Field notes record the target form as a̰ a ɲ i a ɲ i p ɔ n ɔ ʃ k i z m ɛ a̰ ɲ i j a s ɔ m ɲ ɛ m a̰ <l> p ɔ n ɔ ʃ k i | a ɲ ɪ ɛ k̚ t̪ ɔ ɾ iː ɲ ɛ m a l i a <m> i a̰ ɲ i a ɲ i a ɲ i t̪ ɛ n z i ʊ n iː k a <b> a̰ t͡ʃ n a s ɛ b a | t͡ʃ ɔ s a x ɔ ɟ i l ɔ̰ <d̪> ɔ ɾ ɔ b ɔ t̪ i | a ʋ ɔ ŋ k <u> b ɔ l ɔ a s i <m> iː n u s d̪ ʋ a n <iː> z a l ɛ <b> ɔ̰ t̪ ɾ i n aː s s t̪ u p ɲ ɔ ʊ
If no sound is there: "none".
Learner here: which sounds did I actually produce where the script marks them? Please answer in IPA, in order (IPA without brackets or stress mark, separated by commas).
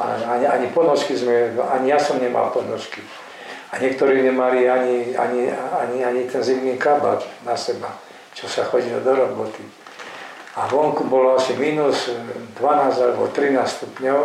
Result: l, ɲ, b, d̪, u, m, aː, b